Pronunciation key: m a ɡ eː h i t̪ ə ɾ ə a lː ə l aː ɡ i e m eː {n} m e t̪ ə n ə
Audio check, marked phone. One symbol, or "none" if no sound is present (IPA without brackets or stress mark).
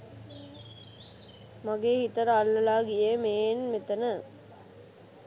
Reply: n